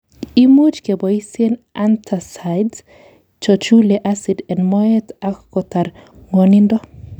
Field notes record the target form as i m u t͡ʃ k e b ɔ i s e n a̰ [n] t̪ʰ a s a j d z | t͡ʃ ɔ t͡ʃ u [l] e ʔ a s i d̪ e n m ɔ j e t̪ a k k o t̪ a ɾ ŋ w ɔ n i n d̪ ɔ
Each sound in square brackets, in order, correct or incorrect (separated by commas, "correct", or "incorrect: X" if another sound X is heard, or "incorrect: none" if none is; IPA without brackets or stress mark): correct, correct